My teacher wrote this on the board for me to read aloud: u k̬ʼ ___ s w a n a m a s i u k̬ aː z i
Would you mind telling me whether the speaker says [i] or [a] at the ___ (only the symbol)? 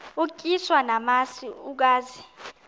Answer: i